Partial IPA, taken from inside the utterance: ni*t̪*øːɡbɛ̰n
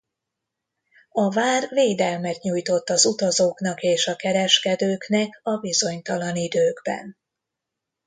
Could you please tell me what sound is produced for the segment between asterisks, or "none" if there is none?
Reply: d̪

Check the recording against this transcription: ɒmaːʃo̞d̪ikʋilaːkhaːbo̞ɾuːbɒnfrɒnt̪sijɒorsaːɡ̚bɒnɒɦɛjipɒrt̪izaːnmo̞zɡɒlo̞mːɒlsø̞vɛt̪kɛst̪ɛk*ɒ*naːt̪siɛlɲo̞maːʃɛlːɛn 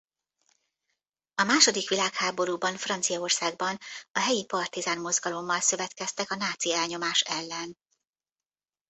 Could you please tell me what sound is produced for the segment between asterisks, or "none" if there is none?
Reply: ɒ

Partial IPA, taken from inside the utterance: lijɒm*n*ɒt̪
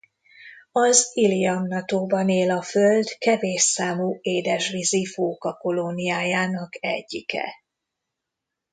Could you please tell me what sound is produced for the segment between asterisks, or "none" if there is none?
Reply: n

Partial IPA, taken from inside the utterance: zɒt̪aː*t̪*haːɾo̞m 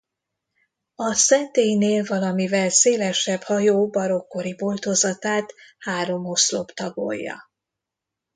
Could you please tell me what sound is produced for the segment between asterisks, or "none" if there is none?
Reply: t̪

